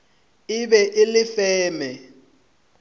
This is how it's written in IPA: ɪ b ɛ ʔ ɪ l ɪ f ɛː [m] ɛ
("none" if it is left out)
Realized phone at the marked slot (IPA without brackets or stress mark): m